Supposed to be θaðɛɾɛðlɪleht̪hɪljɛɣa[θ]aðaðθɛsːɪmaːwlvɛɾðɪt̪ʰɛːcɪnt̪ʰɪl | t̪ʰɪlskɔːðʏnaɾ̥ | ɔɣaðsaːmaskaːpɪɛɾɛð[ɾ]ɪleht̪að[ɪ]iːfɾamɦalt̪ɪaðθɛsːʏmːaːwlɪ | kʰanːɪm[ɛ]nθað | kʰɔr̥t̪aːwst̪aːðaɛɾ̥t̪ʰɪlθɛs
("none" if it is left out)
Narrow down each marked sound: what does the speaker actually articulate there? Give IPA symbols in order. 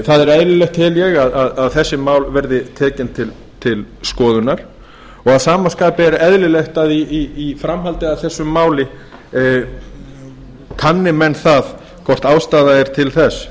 ð, l, i, ɛ

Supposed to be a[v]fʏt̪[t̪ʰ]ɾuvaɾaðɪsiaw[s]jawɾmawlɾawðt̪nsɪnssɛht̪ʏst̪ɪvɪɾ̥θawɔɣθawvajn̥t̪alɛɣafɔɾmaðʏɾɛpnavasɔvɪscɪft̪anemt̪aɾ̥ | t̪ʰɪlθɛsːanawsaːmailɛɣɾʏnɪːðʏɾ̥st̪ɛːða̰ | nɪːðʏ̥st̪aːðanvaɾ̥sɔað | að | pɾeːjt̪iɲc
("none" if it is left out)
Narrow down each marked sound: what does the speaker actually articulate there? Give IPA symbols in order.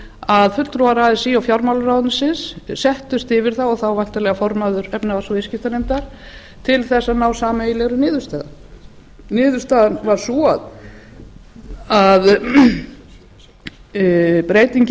ð, t̪, f

